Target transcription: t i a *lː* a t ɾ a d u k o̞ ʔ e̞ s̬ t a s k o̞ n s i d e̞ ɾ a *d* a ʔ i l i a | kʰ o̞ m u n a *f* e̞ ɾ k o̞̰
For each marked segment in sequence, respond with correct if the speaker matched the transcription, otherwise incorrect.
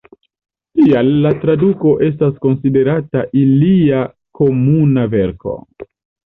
correct, incorrect: t, incorrect: v

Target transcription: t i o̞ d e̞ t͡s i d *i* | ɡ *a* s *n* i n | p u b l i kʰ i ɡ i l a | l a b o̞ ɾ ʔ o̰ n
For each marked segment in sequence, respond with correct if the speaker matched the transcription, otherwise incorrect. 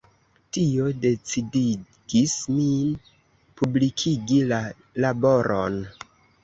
correct, incorrect: i, incorrect: m

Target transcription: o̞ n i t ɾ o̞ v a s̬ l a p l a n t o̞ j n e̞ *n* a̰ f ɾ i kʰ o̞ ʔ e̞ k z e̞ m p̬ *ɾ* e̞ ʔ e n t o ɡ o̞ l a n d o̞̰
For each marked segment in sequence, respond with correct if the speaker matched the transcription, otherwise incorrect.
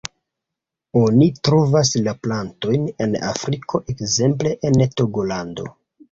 correct, incorrect: l

